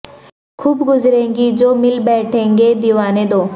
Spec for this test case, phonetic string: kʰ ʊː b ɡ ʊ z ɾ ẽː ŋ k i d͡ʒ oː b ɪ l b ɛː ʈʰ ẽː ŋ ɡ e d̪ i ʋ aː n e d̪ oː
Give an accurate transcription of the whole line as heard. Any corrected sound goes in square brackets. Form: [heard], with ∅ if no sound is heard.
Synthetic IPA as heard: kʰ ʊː b ɡ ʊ z ɾ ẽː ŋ [ɡ] i d͡ʒ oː [m] ɪ l b ɛː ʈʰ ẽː ŋ ɡ e d̪ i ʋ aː n e d̪ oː

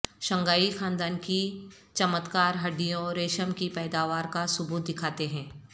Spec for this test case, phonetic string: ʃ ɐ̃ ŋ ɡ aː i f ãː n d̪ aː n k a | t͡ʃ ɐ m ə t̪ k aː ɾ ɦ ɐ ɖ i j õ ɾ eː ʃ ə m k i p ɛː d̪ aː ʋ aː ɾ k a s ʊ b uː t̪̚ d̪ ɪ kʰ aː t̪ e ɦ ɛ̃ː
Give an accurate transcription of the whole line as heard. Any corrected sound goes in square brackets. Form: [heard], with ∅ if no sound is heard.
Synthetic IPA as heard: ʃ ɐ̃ ŋ ɡ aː i [x] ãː n d̪ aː n k [i] | t͡ʃ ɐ m ə t̪ k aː ɾ ɦ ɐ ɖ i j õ ɾ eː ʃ ə m k i p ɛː d̪ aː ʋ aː ɾ k a s ʊ b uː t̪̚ d̪ ɪ kʰ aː t̪ e ɦ ɛ̃ː

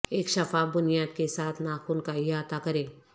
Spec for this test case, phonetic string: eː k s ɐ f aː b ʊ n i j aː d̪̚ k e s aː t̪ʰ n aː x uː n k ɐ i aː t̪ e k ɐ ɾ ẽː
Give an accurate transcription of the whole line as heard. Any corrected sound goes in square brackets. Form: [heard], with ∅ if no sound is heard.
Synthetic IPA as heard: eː k [ʃ] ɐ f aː b ʊ n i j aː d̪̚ k e s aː t̪ʰ n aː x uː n k [a] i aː t̪ [a] k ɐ ɾ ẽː

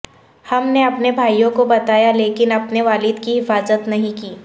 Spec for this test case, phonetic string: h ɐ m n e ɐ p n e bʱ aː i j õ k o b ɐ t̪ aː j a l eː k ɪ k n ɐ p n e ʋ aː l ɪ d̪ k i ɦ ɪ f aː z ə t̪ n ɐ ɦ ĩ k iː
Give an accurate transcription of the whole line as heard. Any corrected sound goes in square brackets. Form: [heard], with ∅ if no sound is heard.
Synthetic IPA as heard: h ɐ m n e ɐ p n e bʱ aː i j õ k o b ɐ t̪ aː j a l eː k ɪ [∅] n ɐ p n e ʋ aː l ɪ d̪ k i ɦ ɪ f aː z ə t̪ n ɐ ɦ ĩ k iː

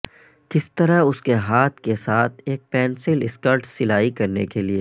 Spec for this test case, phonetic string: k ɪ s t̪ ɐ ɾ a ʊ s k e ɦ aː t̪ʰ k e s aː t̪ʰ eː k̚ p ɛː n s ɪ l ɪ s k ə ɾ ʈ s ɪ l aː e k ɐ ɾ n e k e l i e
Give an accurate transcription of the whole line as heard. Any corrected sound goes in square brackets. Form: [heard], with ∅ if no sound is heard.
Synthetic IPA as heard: k ɪ s t̪ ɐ ɾ a ʊ s k e ɦ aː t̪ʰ k e s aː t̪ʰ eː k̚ p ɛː n s ɪ l ɪ s k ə ɾ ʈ s ɪ l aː [i] k ɐ ɾ n e k e l i e

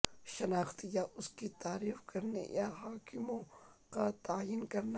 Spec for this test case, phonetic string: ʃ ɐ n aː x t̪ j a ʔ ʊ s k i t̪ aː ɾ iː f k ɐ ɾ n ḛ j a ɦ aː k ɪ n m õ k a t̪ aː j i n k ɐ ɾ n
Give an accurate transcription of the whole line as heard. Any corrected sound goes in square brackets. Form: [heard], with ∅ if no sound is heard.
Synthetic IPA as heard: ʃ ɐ n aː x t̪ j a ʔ ʊ s k i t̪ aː ɾ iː f k ɐ ɾ n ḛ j a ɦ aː k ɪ [∅] m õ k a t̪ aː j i n k ɐ ɾ n

